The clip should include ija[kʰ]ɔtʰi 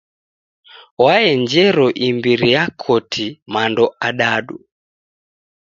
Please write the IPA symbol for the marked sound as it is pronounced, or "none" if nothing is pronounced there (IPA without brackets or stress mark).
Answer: kʰ